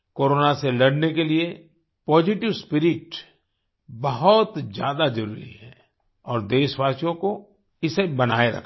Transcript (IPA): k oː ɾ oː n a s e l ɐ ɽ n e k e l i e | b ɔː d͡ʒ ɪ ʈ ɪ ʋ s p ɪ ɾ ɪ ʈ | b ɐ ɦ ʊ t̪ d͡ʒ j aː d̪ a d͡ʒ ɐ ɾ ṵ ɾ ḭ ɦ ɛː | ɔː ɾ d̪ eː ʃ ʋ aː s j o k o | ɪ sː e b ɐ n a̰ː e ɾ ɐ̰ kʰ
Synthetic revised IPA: k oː ɾ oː n a s e l ɐ ɽ n e k e l i e | p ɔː d͡ʒ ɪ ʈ ɪ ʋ s p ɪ ɾ ɪ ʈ | b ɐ ɦ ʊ t̪ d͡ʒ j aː d̪ a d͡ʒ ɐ ɾ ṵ ɾ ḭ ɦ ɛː | ɔː ɾ d̪ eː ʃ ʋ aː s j õ k o | ɪ s e b ɐ n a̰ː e ɾ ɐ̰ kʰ